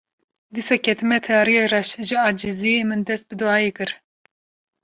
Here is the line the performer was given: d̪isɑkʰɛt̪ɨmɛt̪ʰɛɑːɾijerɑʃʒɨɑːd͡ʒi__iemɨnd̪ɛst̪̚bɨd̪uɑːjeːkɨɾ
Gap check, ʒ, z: z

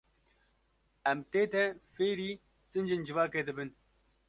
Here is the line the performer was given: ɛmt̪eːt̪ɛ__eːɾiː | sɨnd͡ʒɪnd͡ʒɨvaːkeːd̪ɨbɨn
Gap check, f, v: f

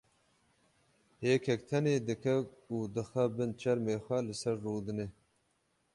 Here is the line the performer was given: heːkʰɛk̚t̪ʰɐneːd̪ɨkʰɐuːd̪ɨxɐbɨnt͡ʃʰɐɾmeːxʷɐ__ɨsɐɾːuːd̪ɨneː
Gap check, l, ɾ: l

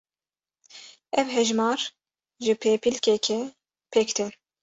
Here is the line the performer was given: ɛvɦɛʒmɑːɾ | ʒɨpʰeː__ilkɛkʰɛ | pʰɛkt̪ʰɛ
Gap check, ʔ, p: p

